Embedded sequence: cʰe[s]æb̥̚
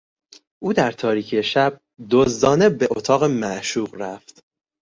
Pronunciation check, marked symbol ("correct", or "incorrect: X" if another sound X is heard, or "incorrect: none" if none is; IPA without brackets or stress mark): incorrect: ʃ